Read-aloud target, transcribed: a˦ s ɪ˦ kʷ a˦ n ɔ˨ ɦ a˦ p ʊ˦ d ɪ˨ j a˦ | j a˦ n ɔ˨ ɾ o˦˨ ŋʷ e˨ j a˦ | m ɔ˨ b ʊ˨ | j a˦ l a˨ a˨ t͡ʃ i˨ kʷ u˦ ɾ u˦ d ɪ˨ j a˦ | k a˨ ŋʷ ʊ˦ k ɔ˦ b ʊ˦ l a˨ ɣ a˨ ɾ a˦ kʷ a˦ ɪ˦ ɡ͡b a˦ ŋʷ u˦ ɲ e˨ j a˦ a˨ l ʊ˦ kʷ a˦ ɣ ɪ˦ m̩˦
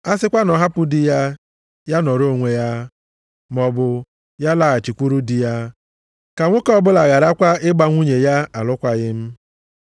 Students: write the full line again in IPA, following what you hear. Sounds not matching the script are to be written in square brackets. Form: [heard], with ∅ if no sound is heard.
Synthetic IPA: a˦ s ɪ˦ kʷ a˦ n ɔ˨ ɦ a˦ p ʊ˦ d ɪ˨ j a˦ | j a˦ n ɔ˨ ɾ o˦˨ ŋʷ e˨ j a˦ | m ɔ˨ b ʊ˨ | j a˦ l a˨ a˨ t͡ʃ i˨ kʷ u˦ ɾ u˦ d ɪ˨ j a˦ | k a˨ ŋʷ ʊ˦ k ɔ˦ b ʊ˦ l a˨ ɣ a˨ ɾ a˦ kʷ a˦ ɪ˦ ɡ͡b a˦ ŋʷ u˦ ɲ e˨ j a˦ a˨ l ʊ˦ kʷ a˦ ɣ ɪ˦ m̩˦